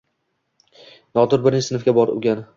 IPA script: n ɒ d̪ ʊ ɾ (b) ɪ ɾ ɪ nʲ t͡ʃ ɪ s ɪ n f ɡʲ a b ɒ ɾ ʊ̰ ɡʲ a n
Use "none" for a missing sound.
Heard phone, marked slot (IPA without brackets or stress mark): b